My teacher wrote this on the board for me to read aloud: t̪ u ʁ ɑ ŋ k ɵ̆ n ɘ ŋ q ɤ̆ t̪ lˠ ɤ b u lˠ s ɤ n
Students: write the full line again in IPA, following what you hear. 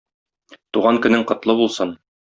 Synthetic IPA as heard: t̪ u ʁ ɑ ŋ k ɵ̆ n ɘ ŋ q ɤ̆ t̪ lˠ ɤ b u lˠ s ɤ n